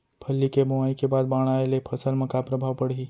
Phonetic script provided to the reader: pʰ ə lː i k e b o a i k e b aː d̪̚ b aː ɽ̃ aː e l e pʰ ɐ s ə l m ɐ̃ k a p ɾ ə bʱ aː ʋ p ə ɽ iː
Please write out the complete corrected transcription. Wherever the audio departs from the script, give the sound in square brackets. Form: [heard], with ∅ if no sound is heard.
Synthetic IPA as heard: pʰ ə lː i k e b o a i k e b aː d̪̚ b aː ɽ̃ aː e l e pʰ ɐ s ə l m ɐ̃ k a p ɾ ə bʱ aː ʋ p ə ɽ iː